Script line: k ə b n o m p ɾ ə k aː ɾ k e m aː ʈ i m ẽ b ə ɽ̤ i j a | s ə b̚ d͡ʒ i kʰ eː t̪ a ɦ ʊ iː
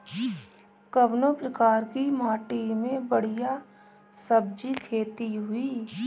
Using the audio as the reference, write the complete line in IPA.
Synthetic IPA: k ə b n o p ɾ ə k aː ɾ k i m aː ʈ i m ẽ b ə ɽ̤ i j a | s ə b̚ d͡ʒ i kʰ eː t̪ i ɦ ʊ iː

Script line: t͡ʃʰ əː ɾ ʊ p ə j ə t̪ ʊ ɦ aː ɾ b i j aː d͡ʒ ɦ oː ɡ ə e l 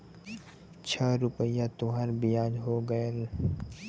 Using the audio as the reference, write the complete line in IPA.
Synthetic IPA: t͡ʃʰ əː ɾ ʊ p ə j a t̪ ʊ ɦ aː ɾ b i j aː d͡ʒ ɦ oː ɡ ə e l

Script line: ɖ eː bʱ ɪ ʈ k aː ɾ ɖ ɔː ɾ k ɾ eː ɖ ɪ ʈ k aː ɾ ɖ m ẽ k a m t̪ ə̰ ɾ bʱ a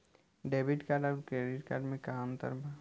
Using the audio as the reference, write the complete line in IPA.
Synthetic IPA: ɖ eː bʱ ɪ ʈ k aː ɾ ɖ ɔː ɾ k ɾ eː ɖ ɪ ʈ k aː ɾ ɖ m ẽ k a m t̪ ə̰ ɾ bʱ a

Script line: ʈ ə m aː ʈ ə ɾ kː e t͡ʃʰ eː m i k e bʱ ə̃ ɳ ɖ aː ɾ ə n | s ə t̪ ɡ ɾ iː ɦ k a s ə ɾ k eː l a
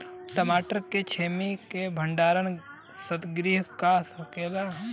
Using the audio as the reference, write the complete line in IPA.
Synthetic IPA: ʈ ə m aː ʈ ə ɾ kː e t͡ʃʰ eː m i k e bʱ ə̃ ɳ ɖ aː ɾ ə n | s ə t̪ ɡ ɾ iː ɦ k a s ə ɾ k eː l a

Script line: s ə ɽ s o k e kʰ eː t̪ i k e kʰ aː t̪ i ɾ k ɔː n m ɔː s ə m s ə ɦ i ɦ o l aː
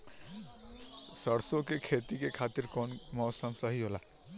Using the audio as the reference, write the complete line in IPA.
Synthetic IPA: s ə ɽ s o k e kʰ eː t̪ i k e kʰ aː t̪ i ɾ k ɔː n m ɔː s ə m s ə ɦ i ɦ o l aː

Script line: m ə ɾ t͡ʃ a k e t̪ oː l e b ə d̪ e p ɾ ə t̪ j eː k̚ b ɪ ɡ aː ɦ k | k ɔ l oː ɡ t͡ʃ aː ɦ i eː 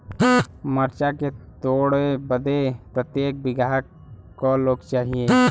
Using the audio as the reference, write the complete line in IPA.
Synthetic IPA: m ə ɾ t͡ʃ a k e t̪ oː ɽ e b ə d̪ e p ɾ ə t̪ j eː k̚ b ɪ ɡ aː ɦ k | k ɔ l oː ɡ t͡ʃ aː ɦ i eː

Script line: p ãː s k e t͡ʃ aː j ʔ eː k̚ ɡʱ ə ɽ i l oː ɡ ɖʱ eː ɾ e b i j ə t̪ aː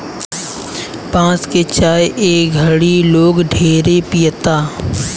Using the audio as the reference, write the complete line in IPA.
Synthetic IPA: p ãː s k e t͡ʃ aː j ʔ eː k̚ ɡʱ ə ɽ i l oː ɡ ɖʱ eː ɾ e p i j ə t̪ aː

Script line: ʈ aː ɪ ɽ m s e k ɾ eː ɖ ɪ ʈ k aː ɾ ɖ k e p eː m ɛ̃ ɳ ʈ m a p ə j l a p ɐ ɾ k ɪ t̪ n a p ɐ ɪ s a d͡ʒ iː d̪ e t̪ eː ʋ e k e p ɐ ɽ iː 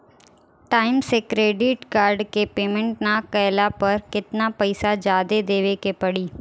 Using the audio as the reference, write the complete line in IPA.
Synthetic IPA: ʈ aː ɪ m s e k ɾ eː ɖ ɪ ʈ k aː ɾ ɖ k e p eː m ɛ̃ ɳ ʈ n a k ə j l a p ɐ ɾ k ɪ t̪ n a p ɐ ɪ s a d͡ʒ aː d̪ e d̪ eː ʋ e k e p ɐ ɽ iː

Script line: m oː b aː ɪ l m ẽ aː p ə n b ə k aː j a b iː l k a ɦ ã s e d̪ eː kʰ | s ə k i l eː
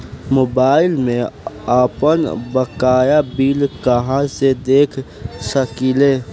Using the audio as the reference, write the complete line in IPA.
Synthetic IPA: m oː b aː ɪ l m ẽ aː p ə n b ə k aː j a b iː l k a ɦ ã s e d̪ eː kʰ | s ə k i l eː

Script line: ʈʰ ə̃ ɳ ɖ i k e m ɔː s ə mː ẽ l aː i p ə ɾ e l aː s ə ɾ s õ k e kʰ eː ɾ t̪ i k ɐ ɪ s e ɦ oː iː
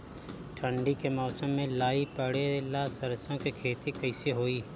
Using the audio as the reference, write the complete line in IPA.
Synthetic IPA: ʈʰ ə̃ ɳ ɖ i k e m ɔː s ə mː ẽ l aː i p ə ɽ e l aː s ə ɾ s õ k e kʰ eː t̪ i k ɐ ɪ s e ɦ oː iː

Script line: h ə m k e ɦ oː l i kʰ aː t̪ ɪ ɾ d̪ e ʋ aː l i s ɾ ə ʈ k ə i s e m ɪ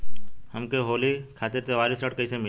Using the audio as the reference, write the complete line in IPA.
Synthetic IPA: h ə m k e ɦ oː l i kʰ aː t̪ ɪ ɾ t̪ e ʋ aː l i s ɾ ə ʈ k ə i s e m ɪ

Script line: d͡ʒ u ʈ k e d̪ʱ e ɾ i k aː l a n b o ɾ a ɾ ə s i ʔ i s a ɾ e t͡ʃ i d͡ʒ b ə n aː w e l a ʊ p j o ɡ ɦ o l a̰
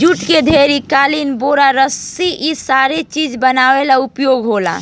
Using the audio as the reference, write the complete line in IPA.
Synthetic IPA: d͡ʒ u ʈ k e d̪ʱ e ɾ i k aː l i n b o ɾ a ɾ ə s i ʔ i s a ɾ e t͡ʃ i d͡ʒ b ə n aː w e l a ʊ p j o ɡ ɦ o l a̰

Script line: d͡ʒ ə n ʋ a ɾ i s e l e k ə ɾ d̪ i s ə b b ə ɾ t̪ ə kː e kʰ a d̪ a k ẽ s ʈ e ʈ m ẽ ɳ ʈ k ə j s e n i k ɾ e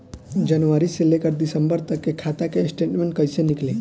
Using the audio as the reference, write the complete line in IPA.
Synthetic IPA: d͡ʒ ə n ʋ a ɾ i s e l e k ə ɾ d̪ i s ə m b ə ɾ t̪ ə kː e kʰ a t̪ a k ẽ s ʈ e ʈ m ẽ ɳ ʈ k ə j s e n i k l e

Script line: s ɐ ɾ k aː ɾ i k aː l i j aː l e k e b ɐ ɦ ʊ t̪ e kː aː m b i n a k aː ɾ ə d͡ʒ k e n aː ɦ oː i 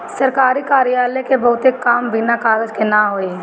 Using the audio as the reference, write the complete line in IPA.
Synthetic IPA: s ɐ ɾ k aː ɾ i k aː ɾ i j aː l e k e b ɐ ɦ ʊ t̪ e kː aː m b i n a k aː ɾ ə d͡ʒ k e n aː ɦ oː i

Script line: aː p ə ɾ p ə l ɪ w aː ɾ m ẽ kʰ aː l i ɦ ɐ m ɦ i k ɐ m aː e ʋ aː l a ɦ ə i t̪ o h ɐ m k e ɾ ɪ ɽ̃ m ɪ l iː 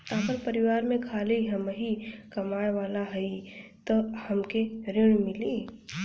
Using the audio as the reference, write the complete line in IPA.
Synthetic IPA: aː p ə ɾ p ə ɾ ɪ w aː ɾ m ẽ kʰ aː l i ɦ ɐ m ɦ i k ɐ m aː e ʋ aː l a ɦ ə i t̪ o h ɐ m k e ɾ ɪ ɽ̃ m ɪ l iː

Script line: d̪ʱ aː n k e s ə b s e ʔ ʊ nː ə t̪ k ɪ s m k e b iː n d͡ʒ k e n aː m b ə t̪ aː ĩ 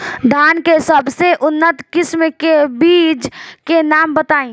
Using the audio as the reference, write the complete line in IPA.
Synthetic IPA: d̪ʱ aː n k e s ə b s e ʔ ʊ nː ə t̪ k ɪ s m k e b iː d͡ʒ k e n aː m b ə t̪ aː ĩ

